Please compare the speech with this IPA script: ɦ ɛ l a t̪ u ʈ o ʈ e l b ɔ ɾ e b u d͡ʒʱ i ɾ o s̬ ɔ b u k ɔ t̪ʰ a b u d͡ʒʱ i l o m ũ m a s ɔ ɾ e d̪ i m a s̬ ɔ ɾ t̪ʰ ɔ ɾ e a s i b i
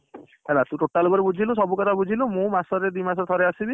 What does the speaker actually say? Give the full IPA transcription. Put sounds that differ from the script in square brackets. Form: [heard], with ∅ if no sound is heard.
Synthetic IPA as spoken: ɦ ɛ l a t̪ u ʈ o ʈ [a] l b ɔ ɾ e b u d͡ʒʱ i [l] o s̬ ɔ b u k ɔ t̪ʰ a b u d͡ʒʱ i l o m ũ m a s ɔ ɾ e d̪ i m a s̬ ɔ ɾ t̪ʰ ɔ ɾ e a s i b i